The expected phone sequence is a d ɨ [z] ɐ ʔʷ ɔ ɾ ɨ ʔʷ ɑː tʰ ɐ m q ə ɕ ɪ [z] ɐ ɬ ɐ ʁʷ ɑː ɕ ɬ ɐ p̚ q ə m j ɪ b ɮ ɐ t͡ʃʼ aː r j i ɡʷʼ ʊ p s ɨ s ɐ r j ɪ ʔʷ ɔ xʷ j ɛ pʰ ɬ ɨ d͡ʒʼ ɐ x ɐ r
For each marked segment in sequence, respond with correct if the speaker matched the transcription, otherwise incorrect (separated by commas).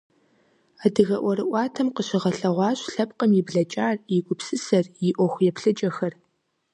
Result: incorrect, incorrect